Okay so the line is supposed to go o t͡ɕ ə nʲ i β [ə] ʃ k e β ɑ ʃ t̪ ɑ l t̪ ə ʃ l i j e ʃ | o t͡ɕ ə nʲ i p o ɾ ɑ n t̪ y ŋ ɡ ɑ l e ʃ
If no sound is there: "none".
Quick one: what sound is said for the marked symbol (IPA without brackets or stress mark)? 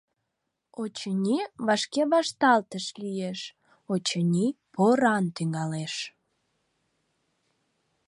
ɑ